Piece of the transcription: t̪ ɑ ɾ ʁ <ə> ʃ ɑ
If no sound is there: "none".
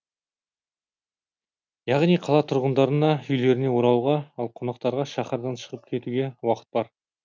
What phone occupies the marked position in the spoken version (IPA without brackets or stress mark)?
ɑ